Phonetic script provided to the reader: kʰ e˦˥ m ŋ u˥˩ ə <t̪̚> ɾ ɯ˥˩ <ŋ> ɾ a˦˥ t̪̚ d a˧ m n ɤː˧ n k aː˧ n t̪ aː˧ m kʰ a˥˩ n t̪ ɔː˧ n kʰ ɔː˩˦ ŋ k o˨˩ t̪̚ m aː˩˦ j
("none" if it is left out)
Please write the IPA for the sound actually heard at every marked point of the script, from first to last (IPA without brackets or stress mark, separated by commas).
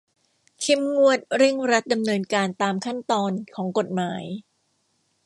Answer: t̪̚, ŋ